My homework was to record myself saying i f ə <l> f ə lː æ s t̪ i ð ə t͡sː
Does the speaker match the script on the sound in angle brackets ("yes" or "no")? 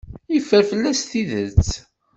no